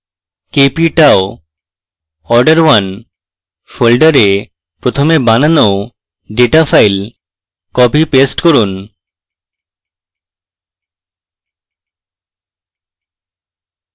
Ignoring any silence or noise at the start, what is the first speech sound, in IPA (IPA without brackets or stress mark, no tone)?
k